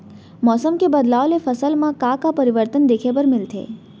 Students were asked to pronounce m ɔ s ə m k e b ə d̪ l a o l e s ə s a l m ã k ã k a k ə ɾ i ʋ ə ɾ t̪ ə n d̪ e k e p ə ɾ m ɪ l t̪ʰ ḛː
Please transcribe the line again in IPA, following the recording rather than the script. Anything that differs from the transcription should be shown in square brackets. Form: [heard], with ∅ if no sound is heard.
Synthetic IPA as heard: m ɔ s ə m k e b ə d̪ l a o l e [f] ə s [ə] l m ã k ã k a [p] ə ɾ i ʋ ə ɾ t̪ ə n d̪ e [kʰ] e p ə ɾ m ɪ l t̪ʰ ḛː